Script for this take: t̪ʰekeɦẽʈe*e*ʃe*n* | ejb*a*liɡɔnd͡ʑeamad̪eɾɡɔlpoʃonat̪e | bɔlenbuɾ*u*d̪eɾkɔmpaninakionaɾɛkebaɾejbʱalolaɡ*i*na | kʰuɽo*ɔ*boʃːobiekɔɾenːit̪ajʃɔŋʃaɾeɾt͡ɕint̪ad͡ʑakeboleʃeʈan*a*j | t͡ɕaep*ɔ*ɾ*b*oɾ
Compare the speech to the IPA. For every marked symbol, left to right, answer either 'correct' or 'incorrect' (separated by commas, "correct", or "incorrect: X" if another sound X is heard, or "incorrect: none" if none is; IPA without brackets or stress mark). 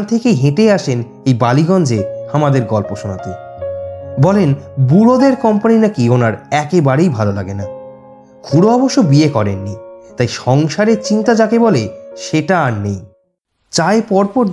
incorrect: a, correct, correct, incorrect: o, incorrect: e, correct, incorrect: e, correct, incorrect: p